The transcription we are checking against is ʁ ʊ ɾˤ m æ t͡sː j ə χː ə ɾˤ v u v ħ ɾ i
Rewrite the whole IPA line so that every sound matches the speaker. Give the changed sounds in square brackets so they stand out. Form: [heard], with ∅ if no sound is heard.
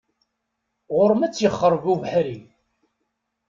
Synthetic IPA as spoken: ʁ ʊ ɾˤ m æ t͡sː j ə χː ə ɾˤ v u v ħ ɾ i